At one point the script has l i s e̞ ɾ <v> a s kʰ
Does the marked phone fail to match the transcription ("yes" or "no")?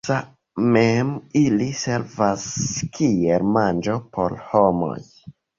no